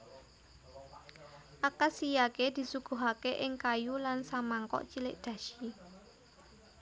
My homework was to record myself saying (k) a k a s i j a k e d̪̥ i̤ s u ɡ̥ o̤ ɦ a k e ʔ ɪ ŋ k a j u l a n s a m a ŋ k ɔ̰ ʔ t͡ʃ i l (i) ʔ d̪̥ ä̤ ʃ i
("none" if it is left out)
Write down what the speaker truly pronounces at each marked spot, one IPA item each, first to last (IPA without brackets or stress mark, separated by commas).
ʔ, ɪ